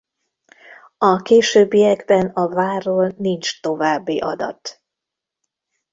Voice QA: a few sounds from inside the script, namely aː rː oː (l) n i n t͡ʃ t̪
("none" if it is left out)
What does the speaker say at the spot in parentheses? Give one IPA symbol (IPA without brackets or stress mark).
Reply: l